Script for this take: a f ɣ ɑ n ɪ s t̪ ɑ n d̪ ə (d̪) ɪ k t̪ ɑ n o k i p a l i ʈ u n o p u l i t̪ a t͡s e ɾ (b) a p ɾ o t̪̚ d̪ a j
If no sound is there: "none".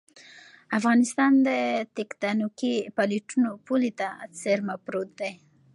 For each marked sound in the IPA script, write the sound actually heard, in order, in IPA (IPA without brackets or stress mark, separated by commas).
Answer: t̪, m